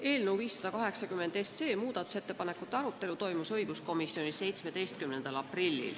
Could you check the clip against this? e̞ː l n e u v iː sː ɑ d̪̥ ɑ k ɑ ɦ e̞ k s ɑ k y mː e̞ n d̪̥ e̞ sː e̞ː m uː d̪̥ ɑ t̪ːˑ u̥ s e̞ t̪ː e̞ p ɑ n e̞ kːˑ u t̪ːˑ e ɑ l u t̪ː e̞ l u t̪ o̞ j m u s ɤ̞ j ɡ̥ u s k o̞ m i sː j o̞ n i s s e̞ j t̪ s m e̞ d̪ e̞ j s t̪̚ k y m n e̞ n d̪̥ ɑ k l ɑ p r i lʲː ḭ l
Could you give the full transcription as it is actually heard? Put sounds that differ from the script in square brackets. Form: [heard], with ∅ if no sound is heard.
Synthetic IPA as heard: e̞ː l n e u v iː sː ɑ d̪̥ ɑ k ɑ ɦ e̞ k s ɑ k y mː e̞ n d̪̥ e̞ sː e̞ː m uː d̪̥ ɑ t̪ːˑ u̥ s e̞ t̪ː e̞ p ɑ n e̞ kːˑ u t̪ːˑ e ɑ [ɾ] u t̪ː e̞ l u t̪ o̞ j m u s ɤ̞ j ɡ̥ u s k o̞ m i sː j o̞ n i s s e̞ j t̪ s m e̞ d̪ e̞ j s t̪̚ k y m n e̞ n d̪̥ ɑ [∅] l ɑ p r i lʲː ḭ l